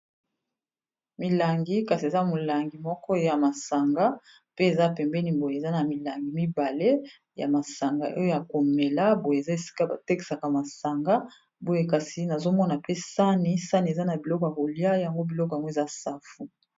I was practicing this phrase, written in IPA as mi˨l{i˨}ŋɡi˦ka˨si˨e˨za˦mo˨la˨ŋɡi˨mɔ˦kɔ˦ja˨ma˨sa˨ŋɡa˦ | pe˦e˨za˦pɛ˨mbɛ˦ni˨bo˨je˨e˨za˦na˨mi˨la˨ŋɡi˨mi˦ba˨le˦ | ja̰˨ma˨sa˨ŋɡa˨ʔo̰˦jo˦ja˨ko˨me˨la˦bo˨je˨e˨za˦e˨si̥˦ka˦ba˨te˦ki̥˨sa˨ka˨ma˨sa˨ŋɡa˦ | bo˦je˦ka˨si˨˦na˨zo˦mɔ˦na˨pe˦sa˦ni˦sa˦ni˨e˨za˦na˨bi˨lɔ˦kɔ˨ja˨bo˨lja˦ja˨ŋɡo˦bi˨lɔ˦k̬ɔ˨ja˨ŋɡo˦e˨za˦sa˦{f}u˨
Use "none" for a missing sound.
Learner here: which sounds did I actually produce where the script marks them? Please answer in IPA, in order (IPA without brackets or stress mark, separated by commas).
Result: a˨, f